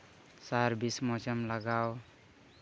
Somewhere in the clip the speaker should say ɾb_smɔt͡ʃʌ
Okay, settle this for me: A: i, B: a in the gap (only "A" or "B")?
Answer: A